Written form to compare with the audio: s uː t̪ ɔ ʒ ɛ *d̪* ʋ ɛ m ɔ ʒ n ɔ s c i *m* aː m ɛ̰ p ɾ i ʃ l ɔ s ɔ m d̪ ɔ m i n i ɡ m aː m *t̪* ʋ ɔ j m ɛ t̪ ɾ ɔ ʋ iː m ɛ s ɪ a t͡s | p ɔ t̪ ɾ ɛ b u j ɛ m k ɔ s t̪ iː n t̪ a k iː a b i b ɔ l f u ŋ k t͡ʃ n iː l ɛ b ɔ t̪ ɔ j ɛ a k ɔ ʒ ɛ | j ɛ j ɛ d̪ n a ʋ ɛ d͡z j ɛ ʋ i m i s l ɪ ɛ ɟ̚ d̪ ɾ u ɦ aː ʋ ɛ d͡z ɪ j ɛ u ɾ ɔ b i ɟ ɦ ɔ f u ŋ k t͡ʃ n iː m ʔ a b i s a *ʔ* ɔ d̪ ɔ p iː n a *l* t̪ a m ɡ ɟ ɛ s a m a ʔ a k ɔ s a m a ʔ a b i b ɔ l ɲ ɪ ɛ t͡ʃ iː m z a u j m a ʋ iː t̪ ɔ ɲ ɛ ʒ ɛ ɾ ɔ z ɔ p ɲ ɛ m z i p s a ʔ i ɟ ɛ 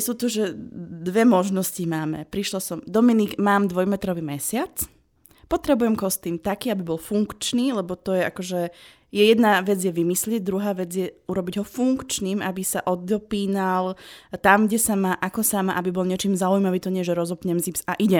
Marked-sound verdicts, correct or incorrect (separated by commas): correct, correct, incorrect, correct, correct